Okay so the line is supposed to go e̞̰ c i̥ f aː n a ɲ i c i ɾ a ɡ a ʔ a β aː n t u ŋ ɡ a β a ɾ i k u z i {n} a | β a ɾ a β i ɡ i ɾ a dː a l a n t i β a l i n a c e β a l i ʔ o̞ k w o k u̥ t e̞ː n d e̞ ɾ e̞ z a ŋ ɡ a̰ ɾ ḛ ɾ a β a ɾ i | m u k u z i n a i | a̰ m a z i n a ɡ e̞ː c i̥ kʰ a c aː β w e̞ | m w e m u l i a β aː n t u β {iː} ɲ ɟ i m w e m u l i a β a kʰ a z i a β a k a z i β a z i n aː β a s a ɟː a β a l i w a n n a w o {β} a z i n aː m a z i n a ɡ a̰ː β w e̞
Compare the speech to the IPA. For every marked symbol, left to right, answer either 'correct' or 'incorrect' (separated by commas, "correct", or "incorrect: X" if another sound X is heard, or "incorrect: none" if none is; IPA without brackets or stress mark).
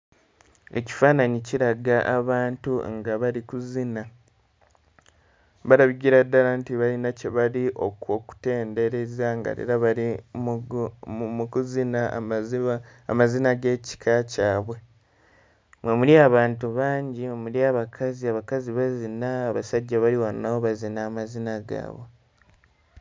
correct, incorrect: aː, correct